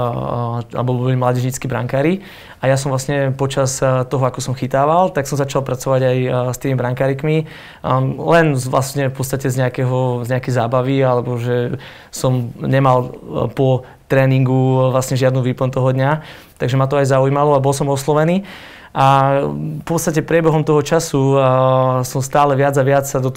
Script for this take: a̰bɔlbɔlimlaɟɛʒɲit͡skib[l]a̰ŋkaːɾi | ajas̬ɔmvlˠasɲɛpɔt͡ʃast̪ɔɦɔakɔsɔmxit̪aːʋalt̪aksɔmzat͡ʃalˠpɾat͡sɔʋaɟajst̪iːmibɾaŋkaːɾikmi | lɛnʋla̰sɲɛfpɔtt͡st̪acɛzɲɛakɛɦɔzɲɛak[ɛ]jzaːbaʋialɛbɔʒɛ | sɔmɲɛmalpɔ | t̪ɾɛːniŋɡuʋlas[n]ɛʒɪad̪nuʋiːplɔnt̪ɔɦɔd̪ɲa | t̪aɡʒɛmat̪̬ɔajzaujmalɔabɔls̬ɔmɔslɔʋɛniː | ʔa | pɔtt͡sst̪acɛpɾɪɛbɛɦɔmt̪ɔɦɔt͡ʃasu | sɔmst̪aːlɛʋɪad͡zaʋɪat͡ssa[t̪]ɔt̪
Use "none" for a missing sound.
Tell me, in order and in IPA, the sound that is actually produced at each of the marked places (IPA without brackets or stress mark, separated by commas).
ɾ, ɛ, ɲ, d̪